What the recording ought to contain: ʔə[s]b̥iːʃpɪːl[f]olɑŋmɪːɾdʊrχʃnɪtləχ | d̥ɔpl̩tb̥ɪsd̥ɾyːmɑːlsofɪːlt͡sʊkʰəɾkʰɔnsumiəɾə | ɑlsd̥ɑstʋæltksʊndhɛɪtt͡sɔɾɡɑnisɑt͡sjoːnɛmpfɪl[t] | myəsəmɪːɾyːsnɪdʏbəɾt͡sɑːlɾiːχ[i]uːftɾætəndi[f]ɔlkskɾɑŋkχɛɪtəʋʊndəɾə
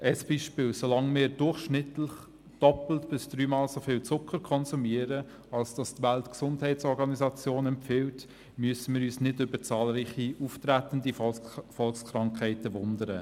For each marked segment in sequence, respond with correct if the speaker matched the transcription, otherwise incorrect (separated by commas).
correct, incorrect, correct, correct, correct